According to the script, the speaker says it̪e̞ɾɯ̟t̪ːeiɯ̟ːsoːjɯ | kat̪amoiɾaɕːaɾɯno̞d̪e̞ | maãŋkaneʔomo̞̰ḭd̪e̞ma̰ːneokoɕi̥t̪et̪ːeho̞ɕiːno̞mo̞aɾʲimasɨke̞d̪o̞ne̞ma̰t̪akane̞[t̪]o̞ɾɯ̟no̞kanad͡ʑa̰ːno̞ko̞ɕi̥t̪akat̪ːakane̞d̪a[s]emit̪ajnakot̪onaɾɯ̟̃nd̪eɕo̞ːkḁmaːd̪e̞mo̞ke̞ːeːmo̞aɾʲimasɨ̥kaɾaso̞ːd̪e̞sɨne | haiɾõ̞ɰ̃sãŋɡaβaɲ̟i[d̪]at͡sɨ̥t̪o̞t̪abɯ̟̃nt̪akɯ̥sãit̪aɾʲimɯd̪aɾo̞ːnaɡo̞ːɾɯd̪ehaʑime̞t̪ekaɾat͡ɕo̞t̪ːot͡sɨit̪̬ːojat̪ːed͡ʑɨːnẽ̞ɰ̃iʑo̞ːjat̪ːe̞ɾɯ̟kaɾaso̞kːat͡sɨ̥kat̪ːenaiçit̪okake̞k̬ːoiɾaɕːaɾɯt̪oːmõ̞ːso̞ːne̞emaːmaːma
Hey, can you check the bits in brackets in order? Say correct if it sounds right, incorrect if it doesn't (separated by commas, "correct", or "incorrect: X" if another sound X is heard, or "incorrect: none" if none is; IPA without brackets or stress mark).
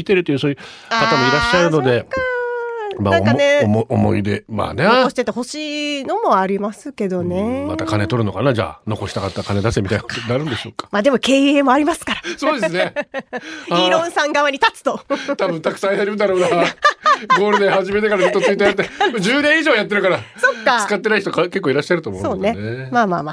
correct, correct, incorrect: t̪